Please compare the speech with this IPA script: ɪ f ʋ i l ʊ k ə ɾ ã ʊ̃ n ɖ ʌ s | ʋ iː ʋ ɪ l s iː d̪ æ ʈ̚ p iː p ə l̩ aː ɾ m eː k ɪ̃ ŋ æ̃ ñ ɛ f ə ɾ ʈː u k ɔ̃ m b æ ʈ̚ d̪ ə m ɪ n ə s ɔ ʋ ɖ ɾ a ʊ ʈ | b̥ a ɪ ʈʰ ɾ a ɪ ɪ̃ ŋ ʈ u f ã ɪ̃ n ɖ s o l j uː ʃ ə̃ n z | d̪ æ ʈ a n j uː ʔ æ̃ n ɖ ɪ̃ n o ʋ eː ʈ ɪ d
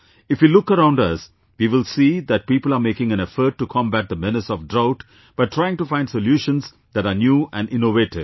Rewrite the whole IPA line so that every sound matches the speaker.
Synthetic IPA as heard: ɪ f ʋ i l ʊ k ə ɾ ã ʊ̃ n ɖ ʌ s | ʋ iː ʋ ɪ l s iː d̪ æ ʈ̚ p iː p ə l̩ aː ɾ m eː k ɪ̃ ŋ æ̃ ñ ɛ f ə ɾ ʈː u kʰ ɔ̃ m b æ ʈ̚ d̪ ə m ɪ n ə s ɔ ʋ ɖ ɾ a ʊ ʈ | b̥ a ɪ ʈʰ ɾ a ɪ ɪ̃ ŋ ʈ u f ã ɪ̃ n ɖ s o l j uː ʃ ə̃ n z | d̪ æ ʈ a n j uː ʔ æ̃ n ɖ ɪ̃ n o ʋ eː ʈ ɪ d